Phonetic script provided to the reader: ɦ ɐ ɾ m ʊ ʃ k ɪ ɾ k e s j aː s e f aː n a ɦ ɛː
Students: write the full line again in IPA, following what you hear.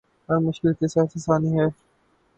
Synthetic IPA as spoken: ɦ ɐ ɾ m ʊ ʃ k ɪ l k e s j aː s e s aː n i ɦ ɛː